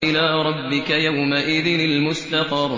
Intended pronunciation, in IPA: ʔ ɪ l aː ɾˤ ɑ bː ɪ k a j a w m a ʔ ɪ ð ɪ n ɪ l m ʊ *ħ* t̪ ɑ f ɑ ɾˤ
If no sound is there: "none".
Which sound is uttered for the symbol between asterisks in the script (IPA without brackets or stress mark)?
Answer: s